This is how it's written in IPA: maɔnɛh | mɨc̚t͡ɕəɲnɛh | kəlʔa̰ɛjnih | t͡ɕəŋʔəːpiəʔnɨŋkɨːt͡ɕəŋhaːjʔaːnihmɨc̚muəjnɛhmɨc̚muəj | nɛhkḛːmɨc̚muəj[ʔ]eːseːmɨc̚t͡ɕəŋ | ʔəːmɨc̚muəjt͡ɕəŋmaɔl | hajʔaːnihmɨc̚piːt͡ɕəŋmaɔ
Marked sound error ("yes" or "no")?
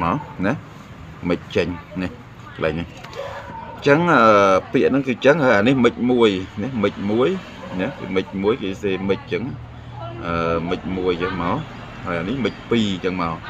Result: yes